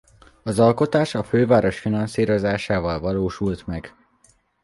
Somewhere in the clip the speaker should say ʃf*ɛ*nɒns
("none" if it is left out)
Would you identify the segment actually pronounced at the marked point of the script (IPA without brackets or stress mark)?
i